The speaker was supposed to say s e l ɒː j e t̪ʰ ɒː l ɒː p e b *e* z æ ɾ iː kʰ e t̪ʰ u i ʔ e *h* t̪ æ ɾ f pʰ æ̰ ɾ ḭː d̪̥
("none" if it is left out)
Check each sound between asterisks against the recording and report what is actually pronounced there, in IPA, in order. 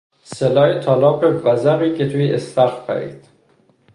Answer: æ, s

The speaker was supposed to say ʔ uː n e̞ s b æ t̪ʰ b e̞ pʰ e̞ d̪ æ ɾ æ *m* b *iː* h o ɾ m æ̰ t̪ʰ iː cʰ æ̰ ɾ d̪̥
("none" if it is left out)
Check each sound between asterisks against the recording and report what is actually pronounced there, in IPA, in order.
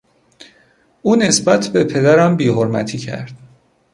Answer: m, iː

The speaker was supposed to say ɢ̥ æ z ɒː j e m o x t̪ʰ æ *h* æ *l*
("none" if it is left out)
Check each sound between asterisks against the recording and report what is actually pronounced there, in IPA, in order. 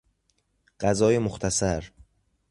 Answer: s, ɾ

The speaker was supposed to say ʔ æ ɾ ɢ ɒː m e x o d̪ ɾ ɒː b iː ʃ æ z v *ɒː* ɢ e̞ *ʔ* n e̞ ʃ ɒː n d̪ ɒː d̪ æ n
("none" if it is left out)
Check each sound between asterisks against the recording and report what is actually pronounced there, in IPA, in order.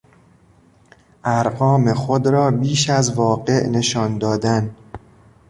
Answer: ɒː, ʔ

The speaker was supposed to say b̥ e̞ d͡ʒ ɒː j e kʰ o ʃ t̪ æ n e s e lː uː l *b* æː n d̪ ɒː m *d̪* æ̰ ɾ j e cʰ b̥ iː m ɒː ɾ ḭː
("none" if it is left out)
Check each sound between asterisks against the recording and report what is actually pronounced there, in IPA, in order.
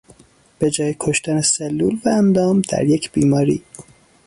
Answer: v, d̪

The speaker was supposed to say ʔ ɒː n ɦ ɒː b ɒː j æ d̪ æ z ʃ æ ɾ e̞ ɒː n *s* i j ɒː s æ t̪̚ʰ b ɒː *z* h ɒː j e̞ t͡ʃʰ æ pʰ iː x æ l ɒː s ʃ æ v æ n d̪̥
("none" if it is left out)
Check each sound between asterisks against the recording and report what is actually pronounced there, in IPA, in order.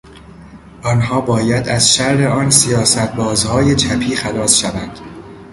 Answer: s, z

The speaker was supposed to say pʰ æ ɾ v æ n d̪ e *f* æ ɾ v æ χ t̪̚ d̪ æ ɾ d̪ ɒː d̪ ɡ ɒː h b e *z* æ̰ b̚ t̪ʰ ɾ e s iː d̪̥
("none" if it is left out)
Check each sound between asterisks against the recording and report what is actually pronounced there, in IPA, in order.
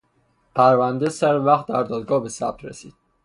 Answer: s, s

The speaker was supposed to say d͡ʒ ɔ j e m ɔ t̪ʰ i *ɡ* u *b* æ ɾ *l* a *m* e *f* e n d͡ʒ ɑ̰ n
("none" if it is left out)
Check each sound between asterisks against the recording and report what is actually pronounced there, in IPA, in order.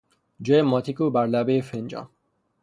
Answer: k, b, l, b, f

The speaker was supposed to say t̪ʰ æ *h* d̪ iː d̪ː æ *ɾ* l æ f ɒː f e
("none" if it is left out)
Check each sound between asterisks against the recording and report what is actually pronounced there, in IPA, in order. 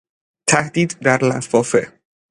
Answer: h, ɾ

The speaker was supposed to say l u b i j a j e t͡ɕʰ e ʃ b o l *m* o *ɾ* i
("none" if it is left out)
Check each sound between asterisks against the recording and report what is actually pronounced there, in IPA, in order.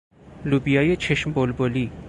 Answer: b, l

